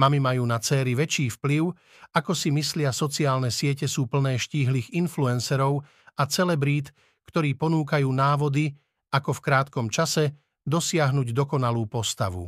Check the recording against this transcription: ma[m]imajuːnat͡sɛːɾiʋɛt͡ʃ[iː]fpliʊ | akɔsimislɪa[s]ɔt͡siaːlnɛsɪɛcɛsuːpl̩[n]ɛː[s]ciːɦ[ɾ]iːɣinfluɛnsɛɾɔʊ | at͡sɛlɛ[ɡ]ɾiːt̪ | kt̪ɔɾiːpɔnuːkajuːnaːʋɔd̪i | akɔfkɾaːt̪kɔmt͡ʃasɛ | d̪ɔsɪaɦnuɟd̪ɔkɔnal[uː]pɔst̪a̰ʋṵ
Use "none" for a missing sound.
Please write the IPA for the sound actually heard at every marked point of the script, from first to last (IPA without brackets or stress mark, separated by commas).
m, iː, s, n, ʃ, l, b, uː